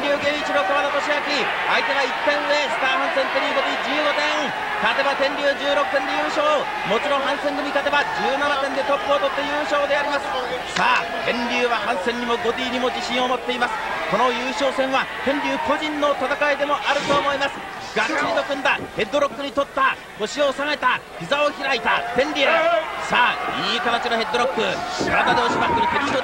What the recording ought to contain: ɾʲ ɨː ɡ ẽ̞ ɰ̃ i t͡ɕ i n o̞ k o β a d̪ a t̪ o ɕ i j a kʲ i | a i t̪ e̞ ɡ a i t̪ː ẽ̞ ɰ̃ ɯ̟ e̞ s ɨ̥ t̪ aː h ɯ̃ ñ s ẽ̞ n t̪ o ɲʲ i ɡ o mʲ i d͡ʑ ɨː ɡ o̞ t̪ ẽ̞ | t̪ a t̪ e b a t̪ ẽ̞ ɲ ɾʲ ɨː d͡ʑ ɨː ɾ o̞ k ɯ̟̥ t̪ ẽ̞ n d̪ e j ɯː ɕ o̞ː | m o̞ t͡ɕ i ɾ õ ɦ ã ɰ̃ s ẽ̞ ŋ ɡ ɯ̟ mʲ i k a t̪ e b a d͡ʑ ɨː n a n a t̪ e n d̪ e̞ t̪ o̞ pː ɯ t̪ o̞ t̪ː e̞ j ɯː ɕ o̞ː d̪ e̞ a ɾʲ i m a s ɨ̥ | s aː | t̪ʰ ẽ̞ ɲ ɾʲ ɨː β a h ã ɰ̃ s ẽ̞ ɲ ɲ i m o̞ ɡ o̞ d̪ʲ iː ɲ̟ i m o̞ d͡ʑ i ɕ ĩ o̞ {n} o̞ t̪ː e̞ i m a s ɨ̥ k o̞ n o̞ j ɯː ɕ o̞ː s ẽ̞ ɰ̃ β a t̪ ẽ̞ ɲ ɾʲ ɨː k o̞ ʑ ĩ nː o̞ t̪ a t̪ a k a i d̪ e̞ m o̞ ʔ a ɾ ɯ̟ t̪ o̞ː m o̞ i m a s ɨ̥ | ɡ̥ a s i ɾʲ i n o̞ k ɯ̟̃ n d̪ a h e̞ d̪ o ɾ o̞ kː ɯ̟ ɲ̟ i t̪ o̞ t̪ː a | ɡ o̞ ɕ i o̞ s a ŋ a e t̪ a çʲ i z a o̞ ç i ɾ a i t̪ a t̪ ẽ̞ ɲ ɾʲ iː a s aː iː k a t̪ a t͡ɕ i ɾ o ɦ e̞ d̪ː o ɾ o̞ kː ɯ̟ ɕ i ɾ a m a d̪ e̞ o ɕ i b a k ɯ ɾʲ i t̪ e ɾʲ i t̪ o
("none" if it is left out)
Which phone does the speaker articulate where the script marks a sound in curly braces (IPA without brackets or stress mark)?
m